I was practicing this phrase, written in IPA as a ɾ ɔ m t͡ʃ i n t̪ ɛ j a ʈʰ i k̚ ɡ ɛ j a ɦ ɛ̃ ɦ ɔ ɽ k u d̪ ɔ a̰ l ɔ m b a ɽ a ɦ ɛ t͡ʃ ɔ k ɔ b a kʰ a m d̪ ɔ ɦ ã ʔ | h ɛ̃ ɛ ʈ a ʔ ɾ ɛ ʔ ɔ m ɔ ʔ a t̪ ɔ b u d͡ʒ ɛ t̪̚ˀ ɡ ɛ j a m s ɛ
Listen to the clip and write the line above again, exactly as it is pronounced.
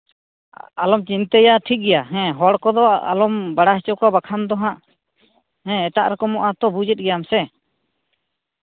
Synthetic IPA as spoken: a l ɔ m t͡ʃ i n t̪ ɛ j a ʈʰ i k̚ ɡ ɛ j a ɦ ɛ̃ ɦ ɔ ɽ k ɔ d̪ ɔ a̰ l ɔ m b a ɽ a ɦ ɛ t͡ʃ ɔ k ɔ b a kʰ a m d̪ ɔ ɦ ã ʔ | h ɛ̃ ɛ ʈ a ʔ ɾ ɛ k ɔ m ɔ ʔ a t̪ ɔ b u d͡ʒ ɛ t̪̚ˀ ɡ ɛ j a m s ɛ